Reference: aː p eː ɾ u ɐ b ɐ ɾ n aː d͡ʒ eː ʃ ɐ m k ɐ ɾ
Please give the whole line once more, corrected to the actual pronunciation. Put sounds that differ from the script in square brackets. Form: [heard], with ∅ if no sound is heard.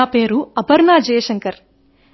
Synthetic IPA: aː p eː ɾ u ɐ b ɐ ɾ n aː d͡ʒ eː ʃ ɐ [ŋ] k ɐ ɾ